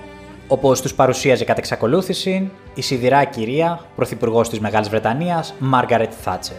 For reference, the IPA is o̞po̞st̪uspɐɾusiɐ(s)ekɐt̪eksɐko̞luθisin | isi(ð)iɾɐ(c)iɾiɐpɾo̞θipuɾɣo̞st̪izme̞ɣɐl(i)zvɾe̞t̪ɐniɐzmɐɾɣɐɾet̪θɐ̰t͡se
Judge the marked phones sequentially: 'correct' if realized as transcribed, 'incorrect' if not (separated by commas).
incorrect, correct, correct, correct